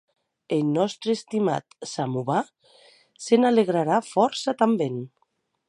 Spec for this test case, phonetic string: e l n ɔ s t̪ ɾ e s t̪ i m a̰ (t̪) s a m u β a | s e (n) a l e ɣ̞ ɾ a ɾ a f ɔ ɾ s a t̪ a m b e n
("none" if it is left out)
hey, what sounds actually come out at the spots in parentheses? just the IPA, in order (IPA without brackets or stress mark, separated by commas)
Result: t̪, n